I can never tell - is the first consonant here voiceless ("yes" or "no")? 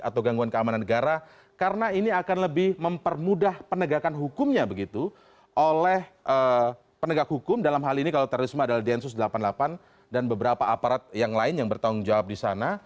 yes